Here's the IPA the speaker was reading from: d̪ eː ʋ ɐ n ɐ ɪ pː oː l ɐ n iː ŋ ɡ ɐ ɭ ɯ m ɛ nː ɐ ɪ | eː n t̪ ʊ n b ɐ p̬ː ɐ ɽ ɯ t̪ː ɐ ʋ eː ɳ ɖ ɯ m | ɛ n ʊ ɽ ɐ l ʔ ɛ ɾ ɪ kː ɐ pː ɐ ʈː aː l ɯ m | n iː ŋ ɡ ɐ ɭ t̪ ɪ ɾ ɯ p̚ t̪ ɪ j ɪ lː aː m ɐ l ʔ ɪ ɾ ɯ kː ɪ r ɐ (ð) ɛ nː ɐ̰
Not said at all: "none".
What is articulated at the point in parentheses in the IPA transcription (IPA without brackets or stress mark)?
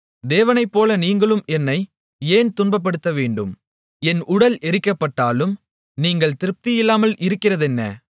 ð